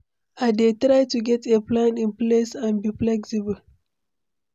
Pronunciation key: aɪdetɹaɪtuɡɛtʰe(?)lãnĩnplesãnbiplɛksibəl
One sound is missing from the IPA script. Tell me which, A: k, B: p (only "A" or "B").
B